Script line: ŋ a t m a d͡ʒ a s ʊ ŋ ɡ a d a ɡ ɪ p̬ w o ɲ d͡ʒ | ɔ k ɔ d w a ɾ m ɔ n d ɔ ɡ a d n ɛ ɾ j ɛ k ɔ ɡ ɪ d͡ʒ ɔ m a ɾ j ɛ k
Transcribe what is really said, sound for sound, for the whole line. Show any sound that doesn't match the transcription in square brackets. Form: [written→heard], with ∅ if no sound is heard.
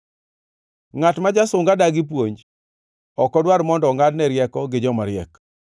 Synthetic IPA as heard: ŋ a t m a d͡ʒ a s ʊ ŋ ɡ a d a ɡ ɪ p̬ w o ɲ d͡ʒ | ɔ k ɔ d w a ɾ m ɔ n d ɔ [ɡ→ŋ] a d n ɛ ɾ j ɛ k ɔ ɡ ɪ d͡ʒ ɔ m a ɾ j ɛ k